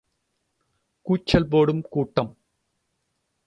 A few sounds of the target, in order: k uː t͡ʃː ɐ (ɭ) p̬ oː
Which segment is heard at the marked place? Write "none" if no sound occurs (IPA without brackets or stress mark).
l